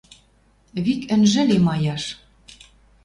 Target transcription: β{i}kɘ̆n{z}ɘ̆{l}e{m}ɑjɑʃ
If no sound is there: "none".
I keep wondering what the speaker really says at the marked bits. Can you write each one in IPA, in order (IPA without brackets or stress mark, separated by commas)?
i, ʒ, l, m